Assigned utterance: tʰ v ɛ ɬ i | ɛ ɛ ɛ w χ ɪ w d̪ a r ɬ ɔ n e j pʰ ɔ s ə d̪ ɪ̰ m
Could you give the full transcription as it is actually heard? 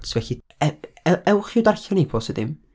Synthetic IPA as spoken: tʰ v ɛ ɬ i | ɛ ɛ ɛ w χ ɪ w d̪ a r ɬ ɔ n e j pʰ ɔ s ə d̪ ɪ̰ m